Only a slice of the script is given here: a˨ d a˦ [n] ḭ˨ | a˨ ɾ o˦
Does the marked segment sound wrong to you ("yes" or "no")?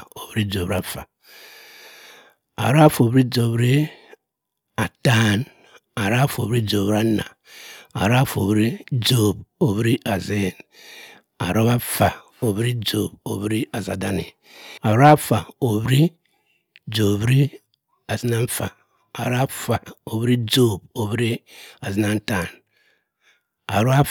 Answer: no